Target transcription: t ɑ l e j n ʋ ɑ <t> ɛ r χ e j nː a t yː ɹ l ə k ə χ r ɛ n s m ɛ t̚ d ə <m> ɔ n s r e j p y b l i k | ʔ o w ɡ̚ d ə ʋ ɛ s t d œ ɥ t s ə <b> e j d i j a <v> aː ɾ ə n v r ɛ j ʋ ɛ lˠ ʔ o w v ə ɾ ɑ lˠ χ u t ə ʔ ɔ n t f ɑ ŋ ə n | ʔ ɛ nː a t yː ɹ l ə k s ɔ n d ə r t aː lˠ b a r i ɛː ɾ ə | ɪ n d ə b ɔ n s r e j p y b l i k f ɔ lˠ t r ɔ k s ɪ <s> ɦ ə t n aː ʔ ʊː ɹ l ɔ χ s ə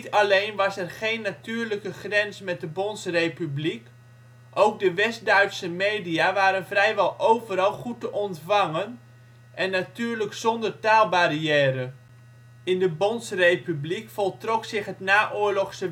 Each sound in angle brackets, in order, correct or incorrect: incorrect: s, incorrect: b, incorrect: m, incorrect: ʋ, incorrect: χ

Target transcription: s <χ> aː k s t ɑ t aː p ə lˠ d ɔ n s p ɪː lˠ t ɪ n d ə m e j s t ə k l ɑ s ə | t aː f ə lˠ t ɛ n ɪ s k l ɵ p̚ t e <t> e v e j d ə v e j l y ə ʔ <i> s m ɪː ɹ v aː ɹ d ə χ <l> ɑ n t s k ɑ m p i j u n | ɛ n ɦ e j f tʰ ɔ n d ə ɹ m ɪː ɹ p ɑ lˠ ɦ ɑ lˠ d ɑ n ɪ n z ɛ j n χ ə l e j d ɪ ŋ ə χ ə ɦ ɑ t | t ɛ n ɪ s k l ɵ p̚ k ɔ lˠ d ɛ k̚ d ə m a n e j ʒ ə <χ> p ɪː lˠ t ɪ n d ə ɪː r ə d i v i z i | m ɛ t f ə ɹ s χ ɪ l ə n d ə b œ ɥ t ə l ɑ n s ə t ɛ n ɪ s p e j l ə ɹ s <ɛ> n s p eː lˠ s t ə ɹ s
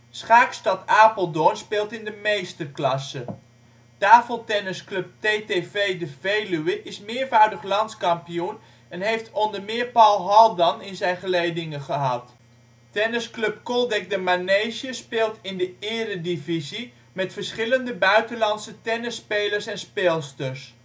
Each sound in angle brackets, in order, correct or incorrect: correct, correct, incorrect: ɪ, correct, incorrect: s, correct

